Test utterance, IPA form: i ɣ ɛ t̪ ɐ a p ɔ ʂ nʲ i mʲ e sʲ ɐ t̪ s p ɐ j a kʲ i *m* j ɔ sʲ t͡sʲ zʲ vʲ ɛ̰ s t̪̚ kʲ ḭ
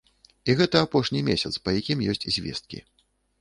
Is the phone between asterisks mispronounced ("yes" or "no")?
no